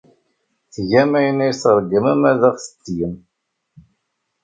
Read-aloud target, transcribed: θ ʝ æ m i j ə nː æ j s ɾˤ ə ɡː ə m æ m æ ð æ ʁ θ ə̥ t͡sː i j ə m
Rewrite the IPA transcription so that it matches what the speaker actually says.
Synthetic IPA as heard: θ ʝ æ m æ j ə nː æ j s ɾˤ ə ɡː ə m æ m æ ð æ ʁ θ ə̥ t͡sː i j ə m